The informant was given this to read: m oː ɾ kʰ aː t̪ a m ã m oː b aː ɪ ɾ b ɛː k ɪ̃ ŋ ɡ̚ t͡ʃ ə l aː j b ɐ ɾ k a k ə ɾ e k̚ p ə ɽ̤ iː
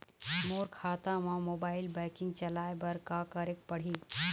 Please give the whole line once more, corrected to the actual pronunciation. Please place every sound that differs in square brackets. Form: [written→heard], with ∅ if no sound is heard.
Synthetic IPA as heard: m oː ɾ kʰ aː t̪ a m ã m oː b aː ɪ [ɾ→l] b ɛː k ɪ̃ ŋ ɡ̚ t͡ʃ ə l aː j b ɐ ɾ k a k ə ɾ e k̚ p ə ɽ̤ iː